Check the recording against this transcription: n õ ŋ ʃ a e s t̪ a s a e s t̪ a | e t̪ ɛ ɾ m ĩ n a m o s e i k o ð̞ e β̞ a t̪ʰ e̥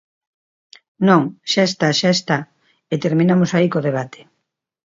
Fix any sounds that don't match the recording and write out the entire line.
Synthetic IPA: n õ ŋ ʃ a e s t̪ a ʃ a e s t̪ a | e t̪ e ɾ m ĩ n a m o s a i k o ð̞ e β̞ a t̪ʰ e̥